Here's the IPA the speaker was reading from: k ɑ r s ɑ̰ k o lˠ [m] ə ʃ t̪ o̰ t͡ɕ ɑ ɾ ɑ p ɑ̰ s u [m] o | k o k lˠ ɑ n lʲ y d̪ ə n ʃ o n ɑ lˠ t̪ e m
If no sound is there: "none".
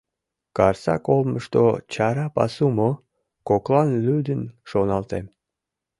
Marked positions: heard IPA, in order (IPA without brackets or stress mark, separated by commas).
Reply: m, m